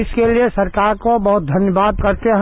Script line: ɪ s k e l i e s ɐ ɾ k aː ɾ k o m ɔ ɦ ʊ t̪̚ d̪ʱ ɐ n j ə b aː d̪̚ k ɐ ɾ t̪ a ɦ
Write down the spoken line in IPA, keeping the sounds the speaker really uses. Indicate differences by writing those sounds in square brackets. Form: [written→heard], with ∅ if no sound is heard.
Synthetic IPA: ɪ s k e l i e s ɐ ɾ k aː ɾ k o [m→b] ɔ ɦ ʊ t̪̚ d̪ʱ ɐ n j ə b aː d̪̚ k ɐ ɾ t̪ [a→e] ɦ